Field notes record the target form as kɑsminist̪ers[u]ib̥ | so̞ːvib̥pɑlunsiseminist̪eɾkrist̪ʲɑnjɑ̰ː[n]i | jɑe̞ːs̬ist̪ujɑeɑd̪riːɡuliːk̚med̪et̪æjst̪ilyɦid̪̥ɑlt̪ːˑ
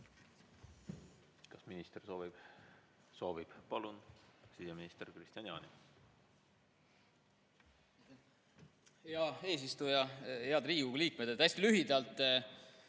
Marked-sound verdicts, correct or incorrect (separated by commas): incorrect, correct